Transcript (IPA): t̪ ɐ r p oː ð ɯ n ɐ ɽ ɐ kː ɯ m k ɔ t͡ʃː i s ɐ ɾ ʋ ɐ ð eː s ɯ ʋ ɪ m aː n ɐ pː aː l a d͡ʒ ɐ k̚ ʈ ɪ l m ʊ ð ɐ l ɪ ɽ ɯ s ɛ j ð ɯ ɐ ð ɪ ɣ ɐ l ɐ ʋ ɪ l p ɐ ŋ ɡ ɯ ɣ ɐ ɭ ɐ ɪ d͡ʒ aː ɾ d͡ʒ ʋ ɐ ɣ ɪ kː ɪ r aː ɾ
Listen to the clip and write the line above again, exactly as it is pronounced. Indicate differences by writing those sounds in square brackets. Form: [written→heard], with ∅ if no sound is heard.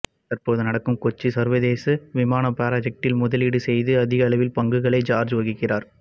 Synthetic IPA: t̪ ɐ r p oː ð ɯ n ɐ ɽ ɐ kː ɯ m k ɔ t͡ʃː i s ɐ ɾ ʋ ɐ ð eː s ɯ ʋ ɪ m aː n ɐ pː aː [l→ɾ] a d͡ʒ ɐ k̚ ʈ ɪ l m ʊ ð ɐ l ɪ ɽ ɯ s ɛ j ð ɯ ɐ ð ɪ ɣ ɐ l ɐ ʋ ɪ l p ɐ ŋ ɡ ɯ ɣ ɐ ɭ ɐ ɪ d͡ʒ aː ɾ d͡ʒ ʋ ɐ ɣ ɪ kː ɪ r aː ɾ